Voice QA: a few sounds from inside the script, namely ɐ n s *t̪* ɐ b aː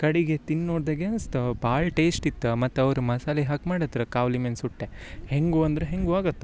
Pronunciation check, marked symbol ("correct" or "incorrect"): correct